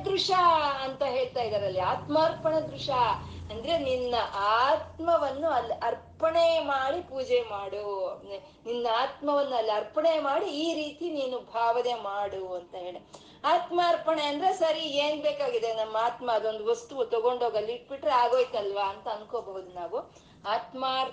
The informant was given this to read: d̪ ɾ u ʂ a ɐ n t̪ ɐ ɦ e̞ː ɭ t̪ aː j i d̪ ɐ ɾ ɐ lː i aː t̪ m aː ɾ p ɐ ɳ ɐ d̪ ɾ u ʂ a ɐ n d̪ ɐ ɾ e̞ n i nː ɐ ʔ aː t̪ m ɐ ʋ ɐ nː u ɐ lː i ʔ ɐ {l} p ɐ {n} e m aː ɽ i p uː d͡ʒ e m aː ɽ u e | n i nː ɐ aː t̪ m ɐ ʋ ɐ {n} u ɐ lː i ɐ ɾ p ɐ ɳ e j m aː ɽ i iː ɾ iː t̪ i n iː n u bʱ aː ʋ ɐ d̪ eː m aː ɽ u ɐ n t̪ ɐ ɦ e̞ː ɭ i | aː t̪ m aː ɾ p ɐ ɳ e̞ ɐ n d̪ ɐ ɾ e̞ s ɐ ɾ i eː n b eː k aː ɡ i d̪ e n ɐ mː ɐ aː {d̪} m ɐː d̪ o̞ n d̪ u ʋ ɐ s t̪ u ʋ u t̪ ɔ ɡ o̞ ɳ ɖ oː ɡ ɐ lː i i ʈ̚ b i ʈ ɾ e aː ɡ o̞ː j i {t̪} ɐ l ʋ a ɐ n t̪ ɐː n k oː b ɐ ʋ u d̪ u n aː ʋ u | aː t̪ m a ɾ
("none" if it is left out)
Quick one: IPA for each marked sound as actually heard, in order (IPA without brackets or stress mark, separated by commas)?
ɾ, ɳ, nː, t̪, t̪